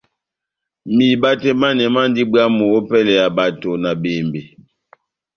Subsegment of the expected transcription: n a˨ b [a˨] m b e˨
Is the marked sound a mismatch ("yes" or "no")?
yes